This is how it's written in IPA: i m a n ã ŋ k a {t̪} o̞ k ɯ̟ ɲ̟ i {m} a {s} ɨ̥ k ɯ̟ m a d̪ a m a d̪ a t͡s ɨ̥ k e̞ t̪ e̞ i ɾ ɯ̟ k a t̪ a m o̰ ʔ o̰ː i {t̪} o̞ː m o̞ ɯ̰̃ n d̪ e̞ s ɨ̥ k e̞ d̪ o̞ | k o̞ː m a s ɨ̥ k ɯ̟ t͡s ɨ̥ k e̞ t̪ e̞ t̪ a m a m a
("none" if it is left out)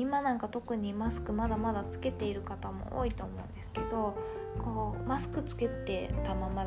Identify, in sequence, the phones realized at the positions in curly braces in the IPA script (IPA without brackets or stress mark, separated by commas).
t̪, m, s, t̪